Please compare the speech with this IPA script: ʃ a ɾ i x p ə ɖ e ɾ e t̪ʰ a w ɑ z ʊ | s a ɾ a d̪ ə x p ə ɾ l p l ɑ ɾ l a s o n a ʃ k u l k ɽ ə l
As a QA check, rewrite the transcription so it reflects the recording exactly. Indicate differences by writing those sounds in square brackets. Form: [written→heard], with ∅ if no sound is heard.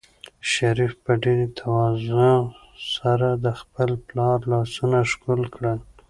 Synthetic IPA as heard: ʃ a ɾ i [x→f] p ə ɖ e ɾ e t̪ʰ a w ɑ z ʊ | s a ɾ a d̪ ə x p ə [ɾ→∅] l p l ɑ ɾ l [a→ɑ] s [o→u] n a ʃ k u l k ɽ ə l